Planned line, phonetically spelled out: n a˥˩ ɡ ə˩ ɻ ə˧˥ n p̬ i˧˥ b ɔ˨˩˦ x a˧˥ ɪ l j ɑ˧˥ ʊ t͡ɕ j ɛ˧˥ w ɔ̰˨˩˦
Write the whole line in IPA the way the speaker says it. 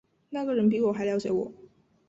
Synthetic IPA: n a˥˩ ɡ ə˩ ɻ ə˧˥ n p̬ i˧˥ w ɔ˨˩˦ x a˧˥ ɪ l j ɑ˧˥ ʊ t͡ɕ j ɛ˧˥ w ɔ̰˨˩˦